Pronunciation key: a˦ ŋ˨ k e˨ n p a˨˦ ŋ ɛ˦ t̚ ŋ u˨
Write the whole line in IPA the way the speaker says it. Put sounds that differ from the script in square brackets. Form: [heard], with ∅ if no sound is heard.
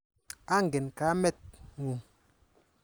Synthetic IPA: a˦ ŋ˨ [ɡ] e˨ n [k] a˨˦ [m] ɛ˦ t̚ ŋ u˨